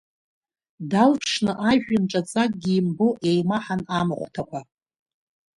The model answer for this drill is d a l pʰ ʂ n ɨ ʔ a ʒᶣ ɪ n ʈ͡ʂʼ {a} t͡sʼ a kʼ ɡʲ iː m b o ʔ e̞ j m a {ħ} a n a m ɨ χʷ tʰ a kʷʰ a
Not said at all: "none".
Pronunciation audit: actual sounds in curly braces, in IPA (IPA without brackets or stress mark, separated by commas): a, ħ